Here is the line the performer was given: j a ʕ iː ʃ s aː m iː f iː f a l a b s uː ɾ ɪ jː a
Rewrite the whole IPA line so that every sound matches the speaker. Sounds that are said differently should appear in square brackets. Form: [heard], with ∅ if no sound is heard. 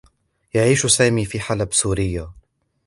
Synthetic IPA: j a ʕ iː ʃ s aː m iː f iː [ħ] a l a b s uː ɾ ɪ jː a